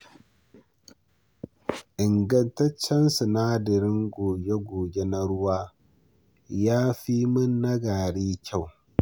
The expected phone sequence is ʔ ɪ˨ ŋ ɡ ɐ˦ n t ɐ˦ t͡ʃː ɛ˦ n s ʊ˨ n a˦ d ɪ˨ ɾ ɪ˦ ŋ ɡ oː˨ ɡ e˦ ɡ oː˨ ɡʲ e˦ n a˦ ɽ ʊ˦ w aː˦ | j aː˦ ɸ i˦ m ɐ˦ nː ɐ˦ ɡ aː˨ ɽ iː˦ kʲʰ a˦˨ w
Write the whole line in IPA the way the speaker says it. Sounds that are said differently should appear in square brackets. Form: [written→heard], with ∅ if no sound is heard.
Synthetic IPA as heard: ʔ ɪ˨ ŋ ɡ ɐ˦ n t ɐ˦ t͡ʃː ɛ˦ n s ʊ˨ n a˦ d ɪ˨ ɾ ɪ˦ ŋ ɡ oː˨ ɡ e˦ ɡ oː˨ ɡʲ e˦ n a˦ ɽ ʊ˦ w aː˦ | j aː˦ ɸ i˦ m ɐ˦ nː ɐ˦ ɡ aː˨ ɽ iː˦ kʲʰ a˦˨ w